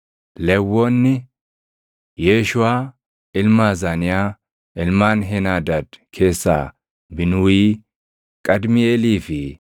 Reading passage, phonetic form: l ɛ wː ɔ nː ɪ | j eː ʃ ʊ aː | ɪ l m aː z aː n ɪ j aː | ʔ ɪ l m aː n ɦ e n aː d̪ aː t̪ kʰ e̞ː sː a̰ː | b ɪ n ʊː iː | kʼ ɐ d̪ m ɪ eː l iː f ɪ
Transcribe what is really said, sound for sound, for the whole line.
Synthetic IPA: l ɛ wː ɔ nː ɪ | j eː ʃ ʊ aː | ɪ l m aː z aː n ɪ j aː | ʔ ɪ l m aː n ɦ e n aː d̪ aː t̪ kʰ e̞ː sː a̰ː | b ɪ n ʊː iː | kʼ ɐ d̪ m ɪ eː l iː f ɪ